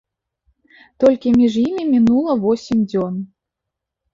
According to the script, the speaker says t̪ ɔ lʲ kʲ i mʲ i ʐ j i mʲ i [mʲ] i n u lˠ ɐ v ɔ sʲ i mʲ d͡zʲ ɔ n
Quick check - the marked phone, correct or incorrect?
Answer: correct